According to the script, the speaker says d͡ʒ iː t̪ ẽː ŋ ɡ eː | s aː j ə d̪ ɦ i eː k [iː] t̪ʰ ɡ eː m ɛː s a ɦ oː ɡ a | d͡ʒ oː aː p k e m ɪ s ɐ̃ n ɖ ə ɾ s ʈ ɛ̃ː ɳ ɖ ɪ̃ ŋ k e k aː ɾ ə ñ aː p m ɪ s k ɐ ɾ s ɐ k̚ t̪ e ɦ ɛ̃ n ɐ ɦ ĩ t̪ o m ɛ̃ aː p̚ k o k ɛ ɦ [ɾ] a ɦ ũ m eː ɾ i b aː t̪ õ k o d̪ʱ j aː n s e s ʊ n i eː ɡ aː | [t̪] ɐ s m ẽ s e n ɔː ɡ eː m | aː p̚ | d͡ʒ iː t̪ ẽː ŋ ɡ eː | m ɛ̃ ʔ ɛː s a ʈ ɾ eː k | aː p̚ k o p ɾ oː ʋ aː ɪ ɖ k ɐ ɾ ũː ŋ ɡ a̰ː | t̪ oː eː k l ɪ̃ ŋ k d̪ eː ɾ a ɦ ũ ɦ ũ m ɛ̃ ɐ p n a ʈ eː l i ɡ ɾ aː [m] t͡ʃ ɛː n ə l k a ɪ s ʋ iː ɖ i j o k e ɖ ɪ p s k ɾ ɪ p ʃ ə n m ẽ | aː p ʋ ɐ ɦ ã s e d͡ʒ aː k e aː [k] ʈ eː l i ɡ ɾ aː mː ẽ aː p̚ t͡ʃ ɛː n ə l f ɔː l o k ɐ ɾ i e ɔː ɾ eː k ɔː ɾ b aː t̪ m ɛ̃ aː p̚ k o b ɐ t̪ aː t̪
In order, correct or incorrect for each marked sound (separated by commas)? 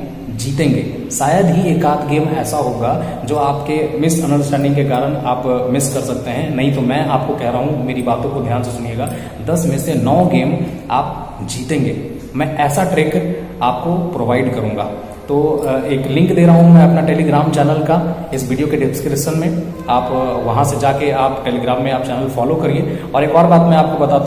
incorrect, correct, incorrect, correct, incorrect